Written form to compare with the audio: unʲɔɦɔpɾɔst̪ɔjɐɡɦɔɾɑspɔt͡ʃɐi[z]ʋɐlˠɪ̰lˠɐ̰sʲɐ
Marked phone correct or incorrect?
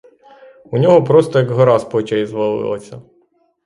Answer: correct